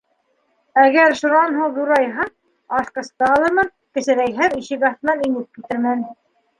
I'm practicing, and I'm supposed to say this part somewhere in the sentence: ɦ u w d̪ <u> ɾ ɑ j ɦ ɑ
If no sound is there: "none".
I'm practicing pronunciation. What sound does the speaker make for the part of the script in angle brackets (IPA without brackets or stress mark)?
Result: u